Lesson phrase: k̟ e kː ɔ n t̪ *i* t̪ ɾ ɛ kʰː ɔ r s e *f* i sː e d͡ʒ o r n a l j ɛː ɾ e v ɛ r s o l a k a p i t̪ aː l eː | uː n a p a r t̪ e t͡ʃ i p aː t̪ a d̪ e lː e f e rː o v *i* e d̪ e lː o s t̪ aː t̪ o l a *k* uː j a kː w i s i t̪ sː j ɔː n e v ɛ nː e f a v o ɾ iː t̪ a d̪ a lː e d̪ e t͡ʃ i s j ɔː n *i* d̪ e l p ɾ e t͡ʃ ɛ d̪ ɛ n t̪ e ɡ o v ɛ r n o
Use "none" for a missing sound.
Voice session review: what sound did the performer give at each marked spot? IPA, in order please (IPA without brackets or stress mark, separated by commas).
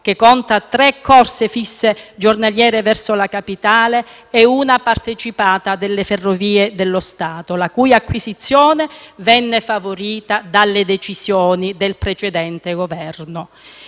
a, f, iː, k, i